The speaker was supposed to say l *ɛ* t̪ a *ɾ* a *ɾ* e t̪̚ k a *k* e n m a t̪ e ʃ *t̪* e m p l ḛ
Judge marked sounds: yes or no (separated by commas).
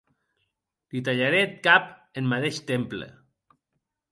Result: no, no, yes, no, yes